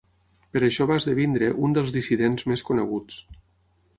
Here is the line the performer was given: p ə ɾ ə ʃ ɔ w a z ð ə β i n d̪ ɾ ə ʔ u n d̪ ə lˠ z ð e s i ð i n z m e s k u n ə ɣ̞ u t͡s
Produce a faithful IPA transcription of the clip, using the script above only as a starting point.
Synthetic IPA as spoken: p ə ɾ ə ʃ ɔ β a z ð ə β i n d̪ ɾ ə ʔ u n d̪ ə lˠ z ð i s i ð e n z m e s k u n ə ɣ̞ u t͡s